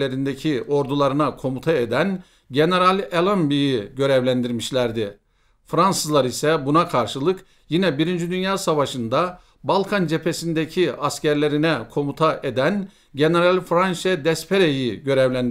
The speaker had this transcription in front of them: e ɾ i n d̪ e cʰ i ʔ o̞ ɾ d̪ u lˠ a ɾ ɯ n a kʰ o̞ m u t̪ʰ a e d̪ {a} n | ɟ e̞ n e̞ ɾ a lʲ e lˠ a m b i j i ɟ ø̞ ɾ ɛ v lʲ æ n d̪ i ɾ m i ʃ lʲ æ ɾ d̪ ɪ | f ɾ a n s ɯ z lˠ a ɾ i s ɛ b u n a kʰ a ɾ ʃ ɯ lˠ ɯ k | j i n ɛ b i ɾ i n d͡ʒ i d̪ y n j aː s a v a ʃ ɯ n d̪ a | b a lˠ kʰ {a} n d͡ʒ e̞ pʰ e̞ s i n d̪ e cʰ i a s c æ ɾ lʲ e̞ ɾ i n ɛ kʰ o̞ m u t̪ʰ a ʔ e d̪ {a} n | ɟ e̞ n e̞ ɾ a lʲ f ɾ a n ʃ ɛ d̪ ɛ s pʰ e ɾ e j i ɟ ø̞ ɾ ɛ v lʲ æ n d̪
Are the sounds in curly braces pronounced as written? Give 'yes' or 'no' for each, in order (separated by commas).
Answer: no, yes, no